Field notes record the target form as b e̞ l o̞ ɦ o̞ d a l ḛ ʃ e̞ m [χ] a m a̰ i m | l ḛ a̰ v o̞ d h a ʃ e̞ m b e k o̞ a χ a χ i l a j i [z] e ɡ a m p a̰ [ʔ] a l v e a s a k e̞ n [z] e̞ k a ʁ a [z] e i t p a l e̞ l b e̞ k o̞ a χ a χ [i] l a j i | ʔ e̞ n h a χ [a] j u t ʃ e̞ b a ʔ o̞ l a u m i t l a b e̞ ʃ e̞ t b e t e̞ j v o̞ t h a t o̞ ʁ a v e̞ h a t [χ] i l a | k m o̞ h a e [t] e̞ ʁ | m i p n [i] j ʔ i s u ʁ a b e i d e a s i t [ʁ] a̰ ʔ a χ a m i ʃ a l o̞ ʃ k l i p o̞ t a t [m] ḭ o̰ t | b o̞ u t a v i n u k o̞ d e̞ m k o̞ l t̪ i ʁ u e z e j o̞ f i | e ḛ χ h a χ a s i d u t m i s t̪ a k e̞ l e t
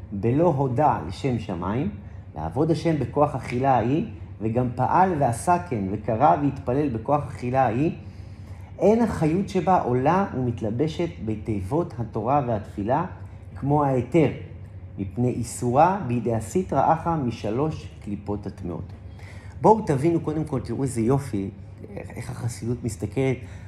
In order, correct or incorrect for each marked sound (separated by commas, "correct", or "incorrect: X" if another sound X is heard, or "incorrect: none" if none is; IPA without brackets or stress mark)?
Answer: incorrect: ʃ, incorrect: v, correct, incorrect: v, incorrect: v, correct, correct, incorrect: f, correct, incorrect: e, correct, correct